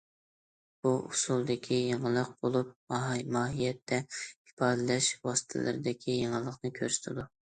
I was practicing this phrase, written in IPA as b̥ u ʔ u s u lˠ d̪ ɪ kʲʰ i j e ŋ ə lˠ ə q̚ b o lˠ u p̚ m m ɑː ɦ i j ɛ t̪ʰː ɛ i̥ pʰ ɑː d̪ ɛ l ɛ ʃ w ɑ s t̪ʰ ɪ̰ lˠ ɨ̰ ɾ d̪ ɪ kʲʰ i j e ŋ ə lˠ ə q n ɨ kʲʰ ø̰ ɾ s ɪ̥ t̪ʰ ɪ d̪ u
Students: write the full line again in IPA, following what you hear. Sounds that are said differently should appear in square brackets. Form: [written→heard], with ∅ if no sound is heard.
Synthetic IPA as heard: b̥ u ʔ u s u lˠ d̪ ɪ kʲʰ i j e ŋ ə lˠ ə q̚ b o lˠ u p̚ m m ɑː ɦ i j ɛ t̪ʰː ɛ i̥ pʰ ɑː d̪ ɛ l ɛ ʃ w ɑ s t̪ʰ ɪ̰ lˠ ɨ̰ ɾ d̪ ɪ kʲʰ i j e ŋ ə lˠ ə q n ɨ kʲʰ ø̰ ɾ s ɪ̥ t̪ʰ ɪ d̪ u